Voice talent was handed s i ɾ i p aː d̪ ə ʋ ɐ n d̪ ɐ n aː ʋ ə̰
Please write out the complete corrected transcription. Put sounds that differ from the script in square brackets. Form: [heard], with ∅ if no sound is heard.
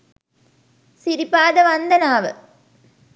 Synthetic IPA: s i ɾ i p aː d̪ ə ʋ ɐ n d̪ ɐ n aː ʋ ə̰

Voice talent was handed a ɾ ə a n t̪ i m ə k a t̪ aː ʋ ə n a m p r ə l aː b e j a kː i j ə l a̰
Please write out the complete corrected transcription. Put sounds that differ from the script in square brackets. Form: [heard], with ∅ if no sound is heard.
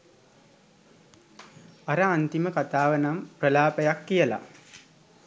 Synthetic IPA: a ɾ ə a n t̪ i m ə k a t̪ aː ʋ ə n a m p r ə l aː [p] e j a kː i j ə l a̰

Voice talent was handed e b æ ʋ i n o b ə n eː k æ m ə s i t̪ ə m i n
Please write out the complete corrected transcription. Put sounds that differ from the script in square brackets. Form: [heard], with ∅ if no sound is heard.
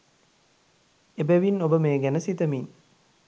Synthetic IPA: e b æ ʋ i n o b ə [m] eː [ɡ] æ [n] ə s i t̪ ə m i n

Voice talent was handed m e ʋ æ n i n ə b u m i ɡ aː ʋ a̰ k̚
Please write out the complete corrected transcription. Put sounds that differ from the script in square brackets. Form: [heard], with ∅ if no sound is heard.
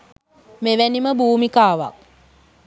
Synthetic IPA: m e ʋ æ n i [m] ə b [uː] m i [k] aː ʋ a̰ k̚

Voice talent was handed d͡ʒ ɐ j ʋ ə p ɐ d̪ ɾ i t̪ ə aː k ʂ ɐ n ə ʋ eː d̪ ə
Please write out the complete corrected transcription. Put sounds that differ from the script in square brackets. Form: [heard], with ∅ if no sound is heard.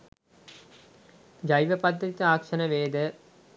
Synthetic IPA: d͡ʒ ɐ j ʋ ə p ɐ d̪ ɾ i t̪ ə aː k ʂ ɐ n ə ʋ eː d̪ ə

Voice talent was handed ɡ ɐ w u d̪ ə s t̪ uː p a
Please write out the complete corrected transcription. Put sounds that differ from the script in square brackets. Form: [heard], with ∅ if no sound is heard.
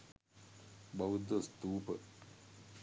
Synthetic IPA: [b] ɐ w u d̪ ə s t̪ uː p [ə]

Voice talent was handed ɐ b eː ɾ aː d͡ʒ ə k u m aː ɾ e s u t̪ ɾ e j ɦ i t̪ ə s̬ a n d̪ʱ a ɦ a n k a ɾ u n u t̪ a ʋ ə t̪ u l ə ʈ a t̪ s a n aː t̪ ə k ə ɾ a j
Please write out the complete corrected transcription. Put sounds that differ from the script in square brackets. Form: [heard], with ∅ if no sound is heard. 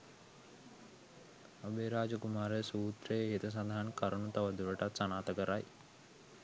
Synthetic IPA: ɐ b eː ɾ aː d͡ʒ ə k u m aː ɾ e s [uː] t̪ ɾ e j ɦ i t̪ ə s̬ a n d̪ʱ a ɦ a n k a ɾ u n u t̪ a ʋ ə [d̪] u [ɾ] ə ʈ a t̪ s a n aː t̪ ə k ə ɾ a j

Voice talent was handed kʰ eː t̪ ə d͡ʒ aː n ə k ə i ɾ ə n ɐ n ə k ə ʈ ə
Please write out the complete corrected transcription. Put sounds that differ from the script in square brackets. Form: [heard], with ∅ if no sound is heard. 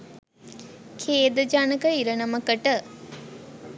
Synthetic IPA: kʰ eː [d̪] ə d͡ʒ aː n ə k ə i ɾ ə n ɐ [m] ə k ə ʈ ə

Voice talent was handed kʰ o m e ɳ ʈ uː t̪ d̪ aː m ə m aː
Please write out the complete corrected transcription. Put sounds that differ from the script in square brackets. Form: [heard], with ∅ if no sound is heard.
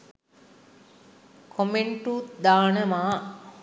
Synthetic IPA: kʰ o m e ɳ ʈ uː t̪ d̪ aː [n] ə m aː

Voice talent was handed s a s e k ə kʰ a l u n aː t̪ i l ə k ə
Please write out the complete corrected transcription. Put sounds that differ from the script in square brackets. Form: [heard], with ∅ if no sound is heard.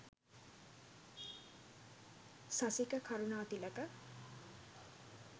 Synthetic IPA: s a s [i] k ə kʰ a [ɾ] u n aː t̪ i l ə k ə

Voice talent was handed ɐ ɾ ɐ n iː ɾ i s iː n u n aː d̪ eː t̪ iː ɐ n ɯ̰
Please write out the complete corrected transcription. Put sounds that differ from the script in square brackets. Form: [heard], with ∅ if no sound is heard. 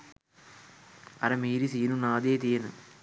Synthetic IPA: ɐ ɾ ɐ [m] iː ɾ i s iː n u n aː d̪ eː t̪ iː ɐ n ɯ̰

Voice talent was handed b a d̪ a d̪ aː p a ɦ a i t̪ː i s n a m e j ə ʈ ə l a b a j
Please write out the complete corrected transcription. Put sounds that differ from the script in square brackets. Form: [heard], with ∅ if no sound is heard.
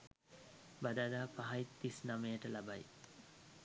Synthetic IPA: b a d̪ a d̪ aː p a ɦ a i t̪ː i s n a m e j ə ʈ ə l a b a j

